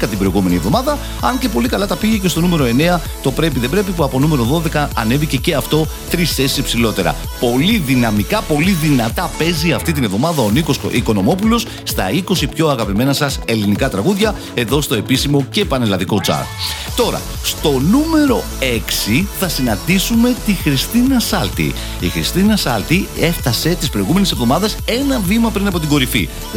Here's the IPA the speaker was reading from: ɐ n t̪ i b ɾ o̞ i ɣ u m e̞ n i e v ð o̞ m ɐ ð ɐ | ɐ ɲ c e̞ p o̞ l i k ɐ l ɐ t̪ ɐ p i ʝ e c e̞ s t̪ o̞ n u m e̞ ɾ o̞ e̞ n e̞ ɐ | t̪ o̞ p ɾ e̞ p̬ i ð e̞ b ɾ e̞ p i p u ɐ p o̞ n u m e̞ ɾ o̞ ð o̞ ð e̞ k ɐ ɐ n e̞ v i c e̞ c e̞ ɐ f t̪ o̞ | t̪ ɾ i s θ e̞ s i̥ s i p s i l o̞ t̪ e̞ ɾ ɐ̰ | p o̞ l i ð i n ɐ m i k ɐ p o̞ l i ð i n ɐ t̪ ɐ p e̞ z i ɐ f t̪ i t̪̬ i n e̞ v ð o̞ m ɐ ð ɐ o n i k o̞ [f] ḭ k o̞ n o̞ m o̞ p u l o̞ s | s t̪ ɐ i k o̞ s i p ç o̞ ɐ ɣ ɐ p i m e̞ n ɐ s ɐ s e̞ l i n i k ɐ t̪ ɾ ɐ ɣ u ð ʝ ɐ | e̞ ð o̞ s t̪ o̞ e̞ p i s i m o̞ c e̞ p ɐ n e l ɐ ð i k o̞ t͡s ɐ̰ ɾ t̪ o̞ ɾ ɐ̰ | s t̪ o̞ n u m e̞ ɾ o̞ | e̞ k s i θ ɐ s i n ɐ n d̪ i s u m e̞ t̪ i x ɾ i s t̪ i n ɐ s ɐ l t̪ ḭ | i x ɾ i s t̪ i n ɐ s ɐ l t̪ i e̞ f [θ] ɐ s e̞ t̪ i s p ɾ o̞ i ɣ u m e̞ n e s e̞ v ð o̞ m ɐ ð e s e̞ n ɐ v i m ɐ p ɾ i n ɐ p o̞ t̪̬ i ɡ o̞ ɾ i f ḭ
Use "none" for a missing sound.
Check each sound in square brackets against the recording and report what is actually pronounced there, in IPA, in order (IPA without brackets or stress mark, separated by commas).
s, θ